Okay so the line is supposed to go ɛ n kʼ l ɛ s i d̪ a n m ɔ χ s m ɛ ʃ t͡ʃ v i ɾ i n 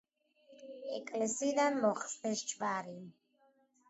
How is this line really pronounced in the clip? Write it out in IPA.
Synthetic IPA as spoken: ɛ kʼ l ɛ s i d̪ a n m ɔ χ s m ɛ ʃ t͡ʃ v a ɾ i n